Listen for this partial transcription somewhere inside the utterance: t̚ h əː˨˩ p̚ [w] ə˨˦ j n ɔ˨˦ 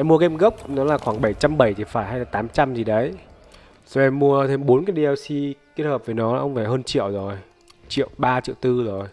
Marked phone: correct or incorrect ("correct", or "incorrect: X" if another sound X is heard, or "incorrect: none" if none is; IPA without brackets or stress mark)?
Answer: incorrect: v